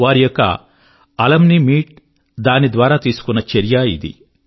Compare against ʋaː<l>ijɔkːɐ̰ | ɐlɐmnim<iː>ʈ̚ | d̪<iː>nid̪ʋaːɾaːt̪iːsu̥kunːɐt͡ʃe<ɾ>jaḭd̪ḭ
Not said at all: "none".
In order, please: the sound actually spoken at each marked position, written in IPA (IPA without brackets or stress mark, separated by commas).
ɾ, iː, aː, ɾ